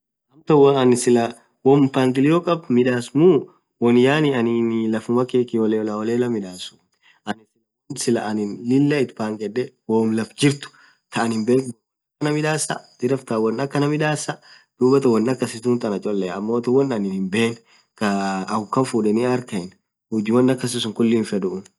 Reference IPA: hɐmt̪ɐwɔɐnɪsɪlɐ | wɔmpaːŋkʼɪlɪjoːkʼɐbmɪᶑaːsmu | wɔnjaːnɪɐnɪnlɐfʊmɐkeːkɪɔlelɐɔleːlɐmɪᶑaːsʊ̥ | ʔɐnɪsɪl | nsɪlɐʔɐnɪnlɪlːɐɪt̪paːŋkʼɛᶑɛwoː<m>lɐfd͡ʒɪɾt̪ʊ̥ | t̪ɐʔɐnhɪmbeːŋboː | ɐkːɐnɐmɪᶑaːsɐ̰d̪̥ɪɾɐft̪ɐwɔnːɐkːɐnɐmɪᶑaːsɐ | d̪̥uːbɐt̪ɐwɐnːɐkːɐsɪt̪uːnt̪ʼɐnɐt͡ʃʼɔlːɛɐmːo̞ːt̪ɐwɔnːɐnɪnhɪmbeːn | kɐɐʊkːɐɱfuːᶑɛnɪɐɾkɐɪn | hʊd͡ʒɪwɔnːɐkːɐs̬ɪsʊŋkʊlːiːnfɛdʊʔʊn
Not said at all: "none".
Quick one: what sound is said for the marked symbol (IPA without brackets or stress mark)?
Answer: m